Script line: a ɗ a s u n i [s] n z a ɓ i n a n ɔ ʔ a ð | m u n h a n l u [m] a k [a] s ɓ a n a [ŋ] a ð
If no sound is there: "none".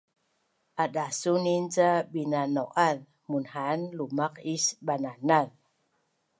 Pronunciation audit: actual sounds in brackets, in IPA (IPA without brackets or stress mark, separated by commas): none, m, i, n